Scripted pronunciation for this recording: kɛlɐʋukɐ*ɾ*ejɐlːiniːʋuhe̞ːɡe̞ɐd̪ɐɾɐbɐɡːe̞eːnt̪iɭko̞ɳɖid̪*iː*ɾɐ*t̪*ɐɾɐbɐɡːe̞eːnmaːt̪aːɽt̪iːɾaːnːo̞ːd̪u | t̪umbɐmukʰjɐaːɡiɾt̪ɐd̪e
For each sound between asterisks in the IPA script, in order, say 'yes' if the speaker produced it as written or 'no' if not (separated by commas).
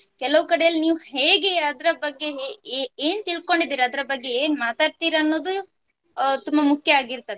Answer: no, yes, no